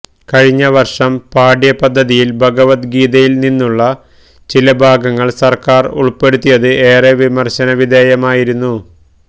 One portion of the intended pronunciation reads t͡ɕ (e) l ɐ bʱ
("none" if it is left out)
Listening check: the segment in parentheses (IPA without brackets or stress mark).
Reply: i